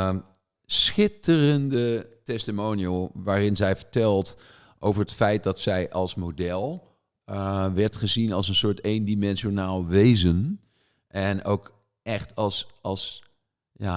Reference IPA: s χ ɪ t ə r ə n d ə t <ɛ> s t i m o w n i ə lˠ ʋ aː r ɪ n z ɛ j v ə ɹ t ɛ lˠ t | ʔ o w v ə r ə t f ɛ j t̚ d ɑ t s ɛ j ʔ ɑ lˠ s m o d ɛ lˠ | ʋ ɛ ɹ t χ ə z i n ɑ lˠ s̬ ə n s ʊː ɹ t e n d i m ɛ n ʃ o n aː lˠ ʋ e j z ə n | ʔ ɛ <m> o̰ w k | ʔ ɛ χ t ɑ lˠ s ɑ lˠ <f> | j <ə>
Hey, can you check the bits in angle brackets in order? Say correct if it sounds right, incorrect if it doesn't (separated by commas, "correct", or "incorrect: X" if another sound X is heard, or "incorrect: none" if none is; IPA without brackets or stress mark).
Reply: correct, incorrect: n, incorrect: s, incorrect: a